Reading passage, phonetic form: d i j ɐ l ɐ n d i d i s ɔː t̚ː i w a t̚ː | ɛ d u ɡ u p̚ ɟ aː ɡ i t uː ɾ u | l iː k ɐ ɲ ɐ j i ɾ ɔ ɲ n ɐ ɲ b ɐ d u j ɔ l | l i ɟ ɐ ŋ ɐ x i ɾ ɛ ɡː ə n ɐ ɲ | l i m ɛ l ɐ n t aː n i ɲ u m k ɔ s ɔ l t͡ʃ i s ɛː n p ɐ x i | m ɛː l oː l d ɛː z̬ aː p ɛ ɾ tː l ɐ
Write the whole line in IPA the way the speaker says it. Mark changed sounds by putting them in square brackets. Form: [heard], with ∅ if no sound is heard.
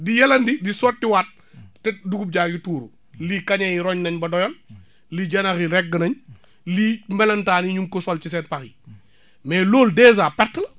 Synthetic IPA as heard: d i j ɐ l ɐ n d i d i s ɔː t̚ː i w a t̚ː | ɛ d u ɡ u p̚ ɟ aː ɡ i t uː ɾ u | l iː k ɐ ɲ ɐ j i ɾ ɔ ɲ n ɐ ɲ b ɐ d [ɔ] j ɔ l | l i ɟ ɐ [n] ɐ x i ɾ ɛ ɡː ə n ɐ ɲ | l i m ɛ l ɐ n t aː n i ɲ u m k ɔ s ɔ l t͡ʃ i s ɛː n p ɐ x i | m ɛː l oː l d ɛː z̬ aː p ɛ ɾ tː l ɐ